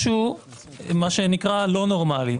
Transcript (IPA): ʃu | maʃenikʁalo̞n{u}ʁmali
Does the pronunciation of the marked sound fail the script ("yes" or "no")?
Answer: yes